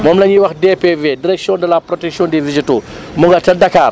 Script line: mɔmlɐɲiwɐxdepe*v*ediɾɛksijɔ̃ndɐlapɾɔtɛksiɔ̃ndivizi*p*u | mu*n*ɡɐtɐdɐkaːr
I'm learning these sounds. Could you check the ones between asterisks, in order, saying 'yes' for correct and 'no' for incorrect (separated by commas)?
yes, no, no